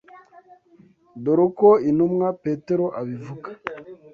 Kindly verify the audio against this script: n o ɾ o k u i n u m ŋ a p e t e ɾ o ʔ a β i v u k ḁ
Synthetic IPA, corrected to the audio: d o ɾ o k o i n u m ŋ a p e t e ɾ o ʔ a β i v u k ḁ